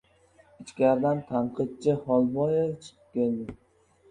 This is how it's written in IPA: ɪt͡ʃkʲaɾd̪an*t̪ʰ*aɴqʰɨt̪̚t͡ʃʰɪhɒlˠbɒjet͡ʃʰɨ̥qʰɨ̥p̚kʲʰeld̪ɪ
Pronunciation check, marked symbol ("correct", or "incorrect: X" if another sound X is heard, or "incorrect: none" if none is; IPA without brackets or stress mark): correct